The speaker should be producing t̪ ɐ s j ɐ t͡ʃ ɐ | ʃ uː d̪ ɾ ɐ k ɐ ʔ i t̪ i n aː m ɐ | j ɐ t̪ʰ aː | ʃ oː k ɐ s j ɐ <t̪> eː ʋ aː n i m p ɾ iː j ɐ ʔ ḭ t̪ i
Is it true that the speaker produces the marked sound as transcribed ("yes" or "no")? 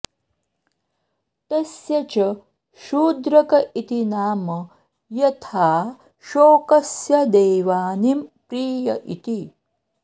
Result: no